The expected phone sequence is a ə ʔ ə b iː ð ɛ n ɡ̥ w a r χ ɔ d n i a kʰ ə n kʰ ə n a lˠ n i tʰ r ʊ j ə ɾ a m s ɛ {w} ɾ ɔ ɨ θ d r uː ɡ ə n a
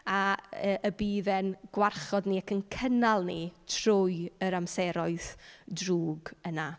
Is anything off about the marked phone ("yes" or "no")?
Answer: yes